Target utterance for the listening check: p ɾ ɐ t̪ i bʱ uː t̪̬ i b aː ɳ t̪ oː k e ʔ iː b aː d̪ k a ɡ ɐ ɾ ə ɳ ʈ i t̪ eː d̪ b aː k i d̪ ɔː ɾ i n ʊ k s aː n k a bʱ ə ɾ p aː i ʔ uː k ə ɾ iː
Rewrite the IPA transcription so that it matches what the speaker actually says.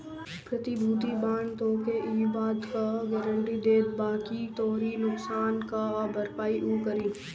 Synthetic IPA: p ɾ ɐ t̪ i bʱ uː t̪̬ i b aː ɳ t̪ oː k e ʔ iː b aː d̪ k a ɡ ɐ ɾ ə ɳ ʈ i d̪ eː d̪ b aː k i t̪ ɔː ɾ i n ʊ k s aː n k a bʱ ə ɾ p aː i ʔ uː k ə ɾ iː